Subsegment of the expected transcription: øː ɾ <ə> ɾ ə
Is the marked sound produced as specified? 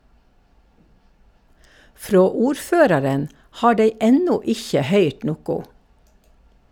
no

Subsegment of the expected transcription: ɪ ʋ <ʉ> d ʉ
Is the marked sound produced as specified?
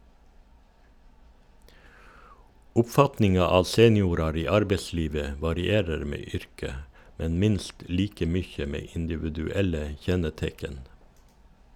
yes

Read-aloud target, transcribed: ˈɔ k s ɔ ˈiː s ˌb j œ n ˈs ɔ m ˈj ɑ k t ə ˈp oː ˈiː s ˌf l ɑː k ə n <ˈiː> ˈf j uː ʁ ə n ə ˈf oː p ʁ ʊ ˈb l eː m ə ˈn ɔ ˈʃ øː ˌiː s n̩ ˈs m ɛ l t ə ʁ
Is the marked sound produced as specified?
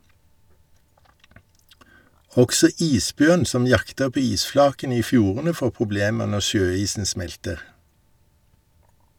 yes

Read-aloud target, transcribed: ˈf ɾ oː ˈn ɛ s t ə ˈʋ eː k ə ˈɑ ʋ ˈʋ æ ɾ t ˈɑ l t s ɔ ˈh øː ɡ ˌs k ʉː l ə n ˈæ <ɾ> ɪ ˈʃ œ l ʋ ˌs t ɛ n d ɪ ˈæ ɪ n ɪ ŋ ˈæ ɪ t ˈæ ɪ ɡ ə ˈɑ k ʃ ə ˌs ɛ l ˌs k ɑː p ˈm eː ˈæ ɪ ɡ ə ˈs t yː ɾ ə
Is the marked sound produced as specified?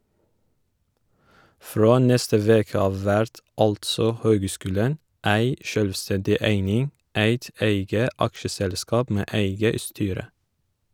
no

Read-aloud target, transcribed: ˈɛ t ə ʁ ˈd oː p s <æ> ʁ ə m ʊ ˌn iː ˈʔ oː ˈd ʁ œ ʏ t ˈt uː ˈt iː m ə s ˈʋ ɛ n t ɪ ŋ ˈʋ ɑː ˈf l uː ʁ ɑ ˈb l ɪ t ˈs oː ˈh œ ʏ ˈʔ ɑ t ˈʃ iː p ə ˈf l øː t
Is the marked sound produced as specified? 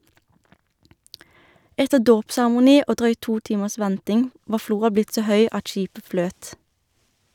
yes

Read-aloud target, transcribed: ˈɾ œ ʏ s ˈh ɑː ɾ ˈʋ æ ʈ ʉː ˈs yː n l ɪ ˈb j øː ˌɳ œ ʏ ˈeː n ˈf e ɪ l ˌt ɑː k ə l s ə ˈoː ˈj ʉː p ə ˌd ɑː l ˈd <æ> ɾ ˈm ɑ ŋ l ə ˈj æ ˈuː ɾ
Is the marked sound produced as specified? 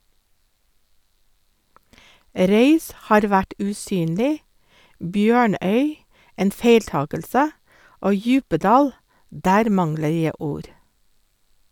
no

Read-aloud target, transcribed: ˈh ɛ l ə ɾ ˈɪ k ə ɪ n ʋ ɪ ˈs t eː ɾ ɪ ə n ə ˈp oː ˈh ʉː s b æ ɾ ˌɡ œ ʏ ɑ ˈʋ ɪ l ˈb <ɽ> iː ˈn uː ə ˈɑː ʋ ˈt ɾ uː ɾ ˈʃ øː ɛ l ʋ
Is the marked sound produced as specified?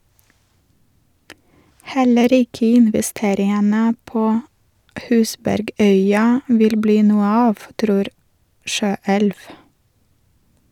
no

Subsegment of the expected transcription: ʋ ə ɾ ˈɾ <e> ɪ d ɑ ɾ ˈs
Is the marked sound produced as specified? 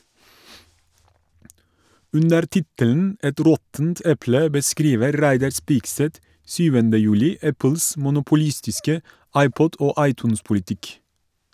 no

